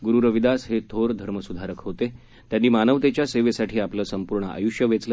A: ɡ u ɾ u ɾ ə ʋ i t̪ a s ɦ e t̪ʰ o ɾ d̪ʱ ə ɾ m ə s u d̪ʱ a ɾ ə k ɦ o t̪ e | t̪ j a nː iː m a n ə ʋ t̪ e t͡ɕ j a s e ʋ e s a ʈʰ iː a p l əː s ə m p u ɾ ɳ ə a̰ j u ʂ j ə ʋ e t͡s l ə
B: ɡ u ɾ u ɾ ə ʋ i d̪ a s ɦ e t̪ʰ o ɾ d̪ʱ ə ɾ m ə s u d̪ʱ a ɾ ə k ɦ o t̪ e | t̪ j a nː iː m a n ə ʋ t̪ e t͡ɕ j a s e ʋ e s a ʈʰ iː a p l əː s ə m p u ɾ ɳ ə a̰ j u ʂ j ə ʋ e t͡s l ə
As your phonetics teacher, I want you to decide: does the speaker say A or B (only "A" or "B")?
B